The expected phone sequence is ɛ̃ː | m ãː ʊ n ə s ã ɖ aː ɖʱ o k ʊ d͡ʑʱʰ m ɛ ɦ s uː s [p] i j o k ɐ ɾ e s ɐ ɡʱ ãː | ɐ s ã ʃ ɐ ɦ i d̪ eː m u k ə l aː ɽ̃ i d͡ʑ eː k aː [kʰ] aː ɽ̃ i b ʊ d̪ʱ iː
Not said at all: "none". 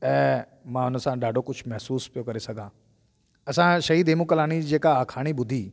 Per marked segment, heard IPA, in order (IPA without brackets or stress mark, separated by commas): p, kʰ